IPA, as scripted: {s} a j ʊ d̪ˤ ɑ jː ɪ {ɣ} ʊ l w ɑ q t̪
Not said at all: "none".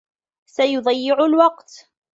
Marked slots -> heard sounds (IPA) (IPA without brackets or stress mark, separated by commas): s, ʕ